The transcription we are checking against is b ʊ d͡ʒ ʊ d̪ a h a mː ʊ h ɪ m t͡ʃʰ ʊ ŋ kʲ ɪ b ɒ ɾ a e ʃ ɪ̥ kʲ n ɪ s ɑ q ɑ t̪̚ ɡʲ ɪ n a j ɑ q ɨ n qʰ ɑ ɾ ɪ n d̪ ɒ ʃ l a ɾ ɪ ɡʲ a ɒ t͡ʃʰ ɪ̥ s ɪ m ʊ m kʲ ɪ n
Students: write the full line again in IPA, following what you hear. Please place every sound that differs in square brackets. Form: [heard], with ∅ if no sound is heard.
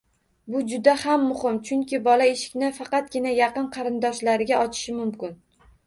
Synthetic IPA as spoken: b ʊ d͡ʒ ʊ d̪ a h a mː ʊ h ɪ m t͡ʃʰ ʊ ŋ kʲ ɪ b ɒ [l] a e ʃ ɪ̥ kʲ n ɪ [f] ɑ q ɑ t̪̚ ɡʲ ɪ n a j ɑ q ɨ n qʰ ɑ ɾ ɪ n d̪ ɒ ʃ l a ɾ ɪ ɡʲ a ɒ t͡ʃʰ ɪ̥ [ʃ] ɪ m ʊ m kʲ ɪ n